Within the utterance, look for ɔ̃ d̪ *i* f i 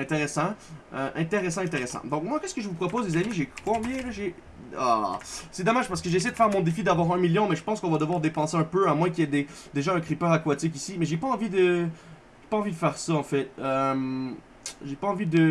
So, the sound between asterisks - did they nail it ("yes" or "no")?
no